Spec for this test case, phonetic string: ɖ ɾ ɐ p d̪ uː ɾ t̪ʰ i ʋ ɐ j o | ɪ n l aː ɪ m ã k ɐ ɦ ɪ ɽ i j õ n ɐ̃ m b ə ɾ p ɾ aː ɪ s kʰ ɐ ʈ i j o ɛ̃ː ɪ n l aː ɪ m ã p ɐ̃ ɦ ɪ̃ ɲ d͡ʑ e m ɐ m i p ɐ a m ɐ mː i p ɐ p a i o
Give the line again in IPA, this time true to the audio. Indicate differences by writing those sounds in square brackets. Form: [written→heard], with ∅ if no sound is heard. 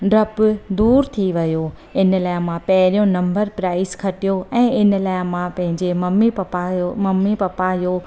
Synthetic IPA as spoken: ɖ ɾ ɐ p d̪ uː ɾ t̪ʰ i ʋ ɐ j o | ɪ n l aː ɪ m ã [k→p] ɐ ɦ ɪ [ɽ→ɾ] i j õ n ɐ̃ m b ə ɾ p ɾ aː ɪ s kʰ ɐ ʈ i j o ɛ̃ː ɪ n l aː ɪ m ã p ɐ̃ ɦ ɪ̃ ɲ d͡ʑ e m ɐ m i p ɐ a m ɐ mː i p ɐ p a [i→j] o